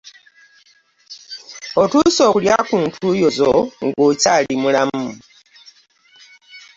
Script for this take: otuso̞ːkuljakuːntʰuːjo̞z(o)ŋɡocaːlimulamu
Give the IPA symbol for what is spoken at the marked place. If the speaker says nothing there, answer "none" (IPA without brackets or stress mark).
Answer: o